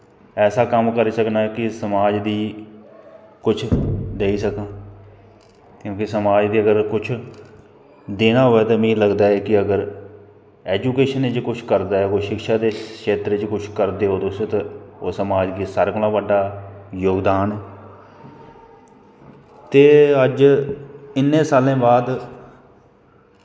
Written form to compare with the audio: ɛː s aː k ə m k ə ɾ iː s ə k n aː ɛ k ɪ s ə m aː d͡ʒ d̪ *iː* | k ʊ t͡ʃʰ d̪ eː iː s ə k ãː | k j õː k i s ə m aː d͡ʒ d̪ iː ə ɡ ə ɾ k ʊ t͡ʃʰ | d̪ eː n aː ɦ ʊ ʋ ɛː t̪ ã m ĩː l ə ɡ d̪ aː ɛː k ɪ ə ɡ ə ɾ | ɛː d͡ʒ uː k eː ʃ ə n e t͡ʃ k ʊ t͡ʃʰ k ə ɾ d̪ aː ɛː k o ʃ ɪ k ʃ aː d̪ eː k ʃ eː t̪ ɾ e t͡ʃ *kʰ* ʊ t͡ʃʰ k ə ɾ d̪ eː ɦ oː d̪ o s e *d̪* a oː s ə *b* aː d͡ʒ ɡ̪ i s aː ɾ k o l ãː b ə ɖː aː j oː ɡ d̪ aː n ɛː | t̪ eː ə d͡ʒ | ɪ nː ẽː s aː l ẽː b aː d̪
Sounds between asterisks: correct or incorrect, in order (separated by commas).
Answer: correct, incorrect, incorrect, incorrect